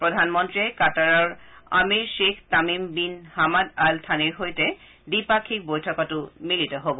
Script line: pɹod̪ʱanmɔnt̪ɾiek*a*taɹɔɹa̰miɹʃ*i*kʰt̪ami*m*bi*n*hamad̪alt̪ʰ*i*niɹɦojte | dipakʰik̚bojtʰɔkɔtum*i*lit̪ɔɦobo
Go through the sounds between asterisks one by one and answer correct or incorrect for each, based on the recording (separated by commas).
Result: correct, incorrect, correct, correct, incorrect, correct